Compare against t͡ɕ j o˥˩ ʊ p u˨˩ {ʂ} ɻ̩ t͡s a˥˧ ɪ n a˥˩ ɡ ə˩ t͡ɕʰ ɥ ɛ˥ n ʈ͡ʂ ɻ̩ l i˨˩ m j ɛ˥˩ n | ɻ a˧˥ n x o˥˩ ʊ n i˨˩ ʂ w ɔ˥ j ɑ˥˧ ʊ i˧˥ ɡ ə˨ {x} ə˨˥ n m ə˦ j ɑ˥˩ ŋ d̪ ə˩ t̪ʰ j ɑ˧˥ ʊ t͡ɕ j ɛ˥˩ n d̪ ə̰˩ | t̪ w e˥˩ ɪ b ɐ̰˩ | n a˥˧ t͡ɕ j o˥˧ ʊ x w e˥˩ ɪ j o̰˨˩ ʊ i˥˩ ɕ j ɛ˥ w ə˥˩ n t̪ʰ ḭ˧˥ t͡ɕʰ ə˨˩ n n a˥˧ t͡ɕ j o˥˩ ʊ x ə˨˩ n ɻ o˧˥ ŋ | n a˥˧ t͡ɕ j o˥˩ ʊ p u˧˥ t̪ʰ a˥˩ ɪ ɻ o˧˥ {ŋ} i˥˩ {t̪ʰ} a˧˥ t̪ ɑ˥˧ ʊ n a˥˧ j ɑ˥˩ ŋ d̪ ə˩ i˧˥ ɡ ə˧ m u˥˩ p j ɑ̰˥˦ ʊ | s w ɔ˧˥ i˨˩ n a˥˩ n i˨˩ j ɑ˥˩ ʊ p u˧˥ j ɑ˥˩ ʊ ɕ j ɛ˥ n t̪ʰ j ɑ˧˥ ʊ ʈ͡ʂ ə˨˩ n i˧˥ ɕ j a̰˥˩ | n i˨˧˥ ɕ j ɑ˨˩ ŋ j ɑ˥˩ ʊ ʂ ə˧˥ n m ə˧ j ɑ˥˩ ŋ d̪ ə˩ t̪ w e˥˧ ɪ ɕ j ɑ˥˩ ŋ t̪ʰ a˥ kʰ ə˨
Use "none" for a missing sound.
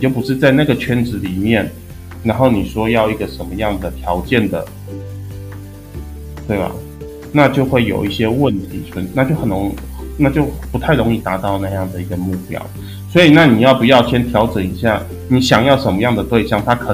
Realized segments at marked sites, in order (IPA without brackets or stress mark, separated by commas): ʂ, ʂ, ŋ, t̪